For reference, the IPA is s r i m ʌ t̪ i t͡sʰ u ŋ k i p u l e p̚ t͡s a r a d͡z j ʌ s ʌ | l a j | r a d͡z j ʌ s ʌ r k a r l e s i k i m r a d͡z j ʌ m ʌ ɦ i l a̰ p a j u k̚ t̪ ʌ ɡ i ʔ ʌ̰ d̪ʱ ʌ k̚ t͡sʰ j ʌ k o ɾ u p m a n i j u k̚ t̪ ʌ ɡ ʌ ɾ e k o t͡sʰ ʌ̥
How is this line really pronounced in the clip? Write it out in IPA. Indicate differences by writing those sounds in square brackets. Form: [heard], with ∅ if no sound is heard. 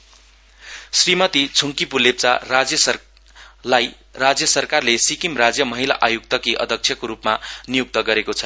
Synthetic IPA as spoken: s r i m ʌ t̪ i t͡sʰ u ŋ k i p u l e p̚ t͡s a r a d͡z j ʌ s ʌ | l a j | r a d͡z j ʌ s ʌ r k a r l e s i k i m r a d͡z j ʌ m ʌ ɦ i l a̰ [ʔ] a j u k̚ t̪ ʌ [k] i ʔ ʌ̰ d̪ʱ ʌ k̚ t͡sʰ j ʌ k o ɾ u p m a n i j u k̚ t̪ ʌ ɡ ʌ ɾ e k o t͡sʰ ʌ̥